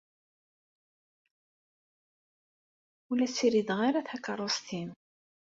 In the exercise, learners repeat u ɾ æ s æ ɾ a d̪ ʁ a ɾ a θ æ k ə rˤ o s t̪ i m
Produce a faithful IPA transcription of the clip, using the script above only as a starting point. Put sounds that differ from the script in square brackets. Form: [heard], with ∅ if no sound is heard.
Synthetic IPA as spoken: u [l] æ s [i] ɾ [i] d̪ ʁ a ɾ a θ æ k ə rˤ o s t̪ i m